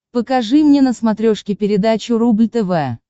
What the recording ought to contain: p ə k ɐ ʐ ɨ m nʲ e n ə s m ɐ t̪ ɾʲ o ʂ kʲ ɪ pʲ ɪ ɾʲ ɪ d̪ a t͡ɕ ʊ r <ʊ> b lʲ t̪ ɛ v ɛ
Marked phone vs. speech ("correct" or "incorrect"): incorrect